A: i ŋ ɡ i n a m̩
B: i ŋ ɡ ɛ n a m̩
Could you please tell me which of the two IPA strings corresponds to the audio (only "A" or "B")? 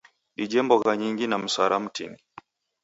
A